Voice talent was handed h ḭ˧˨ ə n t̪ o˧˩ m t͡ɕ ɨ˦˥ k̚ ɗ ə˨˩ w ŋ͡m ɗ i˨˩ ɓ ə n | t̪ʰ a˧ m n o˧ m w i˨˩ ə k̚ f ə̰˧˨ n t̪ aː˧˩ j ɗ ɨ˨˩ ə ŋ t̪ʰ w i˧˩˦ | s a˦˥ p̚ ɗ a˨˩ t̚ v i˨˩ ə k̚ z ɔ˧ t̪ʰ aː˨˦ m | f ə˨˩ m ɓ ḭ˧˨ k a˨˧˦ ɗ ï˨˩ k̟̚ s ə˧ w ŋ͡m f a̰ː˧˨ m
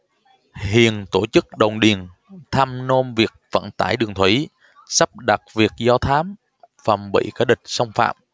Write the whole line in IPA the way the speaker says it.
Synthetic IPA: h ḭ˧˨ ə n t̪ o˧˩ t͡ɕ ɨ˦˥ k̚ ɗ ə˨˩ w ŋ͡m ɗ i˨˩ ə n | t̪ʰ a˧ m n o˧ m v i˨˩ ə k̚ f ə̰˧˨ n t̪ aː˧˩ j ɗ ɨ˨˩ ə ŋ t̪ʰ w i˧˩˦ | s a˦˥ p̚ ɗ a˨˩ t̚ v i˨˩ ə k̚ z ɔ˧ t̪ʰ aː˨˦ m | f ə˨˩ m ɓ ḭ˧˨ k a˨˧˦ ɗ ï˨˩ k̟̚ s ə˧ w ŋ͡m f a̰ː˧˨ m